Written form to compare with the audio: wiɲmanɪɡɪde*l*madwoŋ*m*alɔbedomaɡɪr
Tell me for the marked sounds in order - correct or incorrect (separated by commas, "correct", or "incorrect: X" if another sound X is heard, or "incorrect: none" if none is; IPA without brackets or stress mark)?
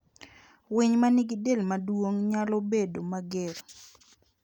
correct, incorrect: ɲ